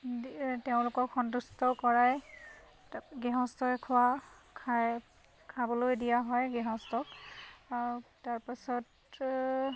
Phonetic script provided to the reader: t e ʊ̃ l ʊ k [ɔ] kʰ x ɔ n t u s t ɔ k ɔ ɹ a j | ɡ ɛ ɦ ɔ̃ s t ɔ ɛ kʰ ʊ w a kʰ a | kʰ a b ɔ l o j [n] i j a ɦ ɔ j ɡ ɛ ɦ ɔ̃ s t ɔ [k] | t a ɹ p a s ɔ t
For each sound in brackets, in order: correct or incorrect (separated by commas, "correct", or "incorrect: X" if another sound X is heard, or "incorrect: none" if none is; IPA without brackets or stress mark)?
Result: correct, incorrect: d, correct